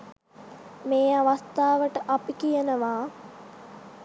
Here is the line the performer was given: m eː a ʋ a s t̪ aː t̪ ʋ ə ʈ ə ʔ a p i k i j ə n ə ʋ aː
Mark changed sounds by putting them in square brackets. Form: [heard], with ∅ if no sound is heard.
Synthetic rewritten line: m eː a ʋ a s t̪ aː [∅] ʋ ə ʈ ə ʔ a p i k i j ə n ə ʋ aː